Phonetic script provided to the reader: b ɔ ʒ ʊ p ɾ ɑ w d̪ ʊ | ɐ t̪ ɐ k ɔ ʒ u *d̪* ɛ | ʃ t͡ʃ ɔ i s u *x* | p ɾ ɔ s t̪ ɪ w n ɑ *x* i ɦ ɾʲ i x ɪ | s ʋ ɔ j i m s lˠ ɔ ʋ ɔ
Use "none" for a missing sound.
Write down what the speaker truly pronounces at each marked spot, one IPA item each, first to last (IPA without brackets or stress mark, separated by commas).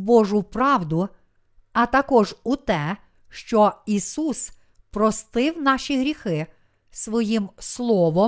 t̪, s, ʃ